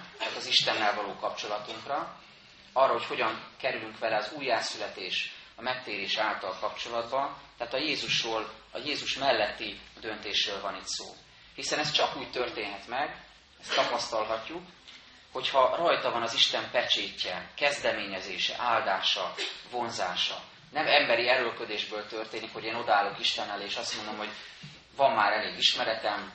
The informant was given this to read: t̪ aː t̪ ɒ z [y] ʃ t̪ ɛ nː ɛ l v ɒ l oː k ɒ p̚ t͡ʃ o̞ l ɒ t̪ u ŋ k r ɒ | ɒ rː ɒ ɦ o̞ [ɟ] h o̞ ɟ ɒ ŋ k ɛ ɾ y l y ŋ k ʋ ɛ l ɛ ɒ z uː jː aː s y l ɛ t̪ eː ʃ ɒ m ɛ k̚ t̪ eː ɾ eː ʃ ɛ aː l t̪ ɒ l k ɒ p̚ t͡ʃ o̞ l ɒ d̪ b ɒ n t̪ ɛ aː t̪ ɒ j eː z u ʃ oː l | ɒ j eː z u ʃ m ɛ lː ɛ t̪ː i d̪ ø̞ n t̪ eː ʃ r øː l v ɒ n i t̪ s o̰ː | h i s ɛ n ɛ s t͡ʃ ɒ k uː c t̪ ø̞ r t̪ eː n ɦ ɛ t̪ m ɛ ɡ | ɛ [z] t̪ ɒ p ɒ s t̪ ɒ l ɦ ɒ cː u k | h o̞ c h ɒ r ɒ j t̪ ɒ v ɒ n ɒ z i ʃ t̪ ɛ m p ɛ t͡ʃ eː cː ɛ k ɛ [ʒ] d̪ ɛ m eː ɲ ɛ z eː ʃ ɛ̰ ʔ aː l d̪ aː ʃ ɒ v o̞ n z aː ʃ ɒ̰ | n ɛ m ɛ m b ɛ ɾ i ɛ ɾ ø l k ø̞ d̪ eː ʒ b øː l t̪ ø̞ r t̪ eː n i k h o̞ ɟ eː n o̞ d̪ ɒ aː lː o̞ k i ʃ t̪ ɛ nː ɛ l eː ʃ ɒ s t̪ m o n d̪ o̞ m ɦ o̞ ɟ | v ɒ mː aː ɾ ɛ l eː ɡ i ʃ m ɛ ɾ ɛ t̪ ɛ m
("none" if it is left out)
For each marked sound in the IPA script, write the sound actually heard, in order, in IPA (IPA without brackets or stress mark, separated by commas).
i, c, s, z